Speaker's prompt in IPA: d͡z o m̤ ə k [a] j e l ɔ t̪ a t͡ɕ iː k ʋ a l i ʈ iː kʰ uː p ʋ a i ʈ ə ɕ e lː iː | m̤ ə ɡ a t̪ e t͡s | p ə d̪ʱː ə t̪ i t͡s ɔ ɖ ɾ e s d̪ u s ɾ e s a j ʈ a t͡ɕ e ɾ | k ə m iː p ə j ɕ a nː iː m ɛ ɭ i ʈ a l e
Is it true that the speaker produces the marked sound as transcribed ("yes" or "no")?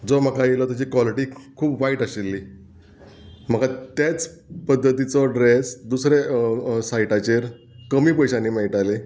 yes